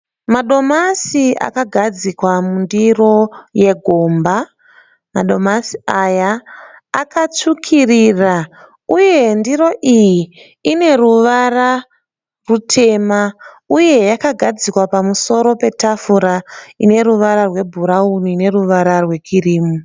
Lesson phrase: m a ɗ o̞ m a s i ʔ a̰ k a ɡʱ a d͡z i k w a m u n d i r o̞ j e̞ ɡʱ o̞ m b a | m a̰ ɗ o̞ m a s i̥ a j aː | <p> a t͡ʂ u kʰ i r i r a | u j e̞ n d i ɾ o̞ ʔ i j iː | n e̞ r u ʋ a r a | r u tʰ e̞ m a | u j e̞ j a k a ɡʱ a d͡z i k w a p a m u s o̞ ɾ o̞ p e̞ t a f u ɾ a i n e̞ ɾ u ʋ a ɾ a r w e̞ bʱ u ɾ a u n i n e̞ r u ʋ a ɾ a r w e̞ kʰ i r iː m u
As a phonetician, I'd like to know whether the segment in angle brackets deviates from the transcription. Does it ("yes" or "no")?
yes